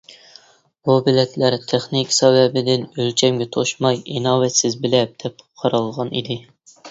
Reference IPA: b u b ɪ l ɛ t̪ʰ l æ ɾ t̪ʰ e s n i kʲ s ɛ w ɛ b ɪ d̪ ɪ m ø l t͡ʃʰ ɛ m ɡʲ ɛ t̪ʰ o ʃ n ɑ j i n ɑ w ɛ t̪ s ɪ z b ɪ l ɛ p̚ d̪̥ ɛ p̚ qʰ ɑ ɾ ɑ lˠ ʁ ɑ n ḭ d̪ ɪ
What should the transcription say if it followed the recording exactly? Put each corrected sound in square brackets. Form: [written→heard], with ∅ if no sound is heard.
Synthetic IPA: b u b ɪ l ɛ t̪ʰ l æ ɾ t̪ʰ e [s→χ] n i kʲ s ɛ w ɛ b ɪ d̪ ɪ [m→n] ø l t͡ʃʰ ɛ m ɡʲ ɛ t̪ʰ o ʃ [n→m] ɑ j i n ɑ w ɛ t̪ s ɪ z b ɪ l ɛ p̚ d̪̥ ɛ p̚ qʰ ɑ ɾ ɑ lˠ ʁ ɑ n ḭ d̪ ɪ